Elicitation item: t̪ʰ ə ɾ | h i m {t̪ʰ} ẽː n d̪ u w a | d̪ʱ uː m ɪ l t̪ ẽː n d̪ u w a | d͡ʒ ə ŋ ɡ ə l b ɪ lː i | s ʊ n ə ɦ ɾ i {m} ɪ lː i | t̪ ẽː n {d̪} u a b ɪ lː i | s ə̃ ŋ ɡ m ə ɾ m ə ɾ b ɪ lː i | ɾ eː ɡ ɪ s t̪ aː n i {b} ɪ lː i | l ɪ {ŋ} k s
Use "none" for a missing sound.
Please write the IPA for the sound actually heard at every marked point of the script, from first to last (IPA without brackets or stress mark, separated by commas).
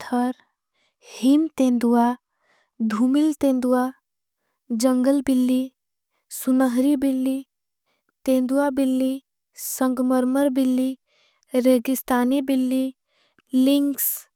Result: t̪, b, d̪, b, ŋ